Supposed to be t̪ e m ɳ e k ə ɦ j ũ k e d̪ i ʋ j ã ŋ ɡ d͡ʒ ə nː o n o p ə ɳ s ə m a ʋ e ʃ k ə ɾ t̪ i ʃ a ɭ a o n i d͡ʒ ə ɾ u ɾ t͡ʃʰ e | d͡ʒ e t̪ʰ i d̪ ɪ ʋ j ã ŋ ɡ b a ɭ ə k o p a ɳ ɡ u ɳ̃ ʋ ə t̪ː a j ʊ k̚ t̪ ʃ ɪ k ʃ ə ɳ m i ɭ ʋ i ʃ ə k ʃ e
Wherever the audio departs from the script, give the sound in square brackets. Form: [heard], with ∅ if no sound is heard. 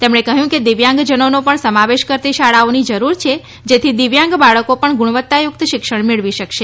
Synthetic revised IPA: t̪ e m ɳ e k ə ɦ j ũ k e d̪ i ʋ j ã ŋ ɡ d͡ʒ ə [n] o n o p ə ɳ s ə m a ʋ e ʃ k ə ɾ t̪ i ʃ a ɭ a o n i d͡ʒ ə ɾ u ɾ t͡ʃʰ e | d͡ʒ e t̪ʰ i d̪ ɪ ʋ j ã ŋ ɡ b a ɭ ə k o p [ə] ɳ ɡ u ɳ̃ ʋ ə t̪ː a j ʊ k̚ t̪ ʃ ɪ k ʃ ə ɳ m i ɭ ʋ i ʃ ə k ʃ e